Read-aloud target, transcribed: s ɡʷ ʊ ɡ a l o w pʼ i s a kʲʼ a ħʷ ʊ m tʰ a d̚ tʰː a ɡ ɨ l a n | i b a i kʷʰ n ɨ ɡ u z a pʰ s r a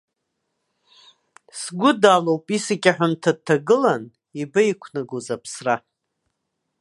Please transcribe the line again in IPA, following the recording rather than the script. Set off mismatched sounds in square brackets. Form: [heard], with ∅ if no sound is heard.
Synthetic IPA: s ɡʷ ʊ [d] a l o w pʼ i s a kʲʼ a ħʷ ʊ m tʰ a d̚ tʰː a ɡ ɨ l a n | i b a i kʷʰ n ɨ ɡ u z a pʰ s r a